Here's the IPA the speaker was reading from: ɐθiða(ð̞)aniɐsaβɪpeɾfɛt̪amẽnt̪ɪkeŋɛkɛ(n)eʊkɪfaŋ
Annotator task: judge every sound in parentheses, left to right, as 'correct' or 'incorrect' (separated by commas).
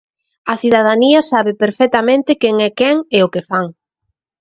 correct, incorrect